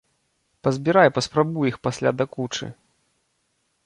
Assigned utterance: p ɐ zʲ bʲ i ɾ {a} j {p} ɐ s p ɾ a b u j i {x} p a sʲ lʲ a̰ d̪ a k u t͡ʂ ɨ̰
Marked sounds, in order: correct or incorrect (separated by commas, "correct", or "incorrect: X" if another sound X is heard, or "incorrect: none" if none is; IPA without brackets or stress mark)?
correct, correct, correct